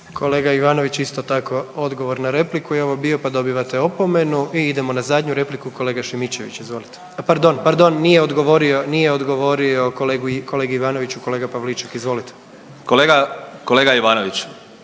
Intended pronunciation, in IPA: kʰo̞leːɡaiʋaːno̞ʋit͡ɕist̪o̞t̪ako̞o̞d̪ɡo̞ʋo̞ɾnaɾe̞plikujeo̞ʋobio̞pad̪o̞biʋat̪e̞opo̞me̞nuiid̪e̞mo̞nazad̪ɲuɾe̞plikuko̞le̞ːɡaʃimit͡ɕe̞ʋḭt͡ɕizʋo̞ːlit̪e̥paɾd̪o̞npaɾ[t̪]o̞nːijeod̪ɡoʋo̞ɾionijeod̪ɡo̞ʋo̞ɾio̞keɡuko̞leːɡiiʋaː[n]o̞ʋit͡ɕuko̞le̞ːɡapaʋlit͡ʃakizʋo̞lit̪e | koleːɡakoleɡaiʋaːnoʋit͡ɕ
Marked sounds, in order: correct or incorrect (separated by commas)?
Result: incorrect, correct